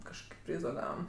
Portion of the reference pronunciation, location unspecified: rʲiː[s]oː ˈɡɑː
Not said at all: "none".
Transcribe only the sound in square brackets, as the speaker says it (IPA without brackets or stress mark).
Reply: z